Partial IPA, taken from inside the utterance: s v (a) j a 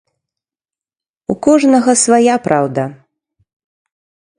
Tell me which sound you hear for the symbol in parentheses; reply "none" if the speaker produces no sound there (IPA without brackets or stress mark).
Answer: a